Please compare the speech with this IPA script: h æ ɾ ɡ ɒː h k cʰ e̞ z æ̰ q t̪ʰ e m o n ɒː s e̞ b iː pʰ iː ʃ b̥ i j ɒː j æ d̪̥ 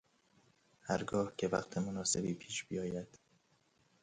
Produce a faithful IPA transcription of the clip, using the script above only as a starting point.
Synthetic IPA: h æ ɾ ɡ ɒː h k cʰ e̞ v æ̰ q t̪ʰ e m o n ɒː s e̞ b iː pʰ iː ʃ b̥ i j ɒː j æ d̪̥